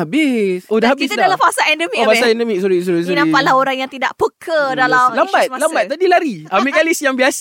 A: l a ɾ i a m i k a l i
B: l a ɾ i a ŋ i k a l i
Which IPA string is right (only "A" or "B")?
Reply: A